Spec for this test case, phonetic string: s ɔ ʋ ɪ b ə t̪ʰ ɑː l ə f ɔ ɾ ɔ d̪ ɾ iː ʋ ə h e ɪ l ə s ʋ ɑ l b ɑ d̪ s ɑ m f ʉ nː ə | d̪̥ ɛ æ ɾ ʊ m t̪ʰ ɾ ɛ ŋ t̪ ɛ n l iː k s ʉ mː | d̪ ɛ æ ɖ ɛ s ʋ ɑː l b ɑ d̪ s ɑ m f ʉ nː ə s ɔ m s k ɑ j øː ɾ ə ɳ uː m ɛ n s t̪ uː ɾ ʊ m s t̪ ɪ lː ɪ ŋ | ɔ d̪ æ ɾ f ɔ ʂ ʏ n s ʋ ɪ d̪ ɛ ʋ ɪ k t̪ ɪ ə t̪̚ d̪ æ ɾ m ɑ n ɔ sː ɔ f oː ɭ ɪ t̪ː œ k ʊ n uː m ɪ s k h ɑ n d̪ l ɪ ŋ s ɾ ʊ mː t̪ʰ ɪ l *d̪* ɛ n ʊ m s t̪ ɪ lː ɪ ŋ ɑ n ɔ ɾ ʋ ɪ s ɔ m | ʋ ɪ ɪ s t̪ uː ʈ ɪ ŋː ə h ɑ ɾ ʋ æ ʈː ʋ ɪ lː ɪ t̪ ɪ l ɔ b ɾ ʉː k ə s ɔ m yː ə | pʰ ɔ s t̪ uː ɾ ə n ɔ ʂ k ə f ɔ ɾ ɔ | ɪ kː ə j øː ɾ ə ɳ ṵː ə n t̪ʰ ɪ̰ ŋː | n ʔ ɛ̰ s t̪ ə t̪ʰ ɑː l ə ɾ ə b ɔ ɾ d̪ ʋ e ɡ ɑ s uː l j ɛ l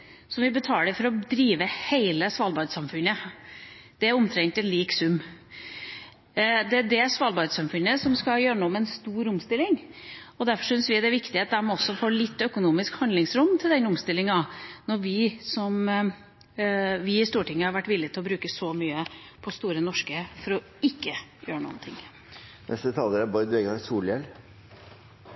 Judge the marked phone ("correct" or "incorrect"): correct